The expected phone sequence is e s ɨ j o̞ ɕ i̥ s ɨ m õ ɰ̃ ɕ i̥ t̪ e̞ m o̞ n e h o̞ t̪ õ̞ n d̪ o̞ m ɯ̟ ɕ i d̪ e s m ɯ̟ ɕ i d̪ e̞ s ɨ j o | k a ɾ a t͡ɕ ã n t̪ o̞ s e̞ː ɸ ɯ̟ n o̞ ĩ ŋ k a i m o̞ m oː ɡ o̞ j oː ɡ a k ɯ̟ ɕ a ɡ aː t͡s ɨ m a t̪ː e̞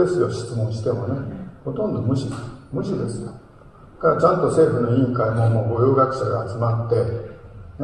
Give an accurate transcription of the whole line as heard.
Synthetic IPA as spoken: e s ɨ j o̞ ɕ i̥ t͡s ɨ m õ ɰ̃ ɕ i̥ t̪ e̞ m o̞ n e h o̞ t̪ õ̞ n d̪ o̞ m ɯ̟ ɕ i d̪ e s m ɯ̟ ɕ i d̪ e̞ s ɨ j o | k a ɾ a t͡ɕ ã n t̪ o̞ s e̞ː ɸ ɯ̟ n o̞ ĩ ŋ k a i m o̞ m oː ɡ o̞ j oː ɡ a k ɯ̟ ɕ a ɡ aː t͡s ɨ m a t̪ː e̞